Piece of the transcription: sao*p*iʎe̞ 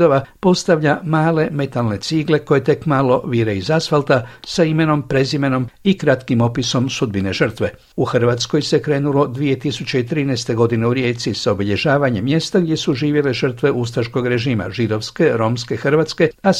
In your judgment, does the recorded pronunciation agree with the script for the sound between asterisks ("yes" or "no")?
no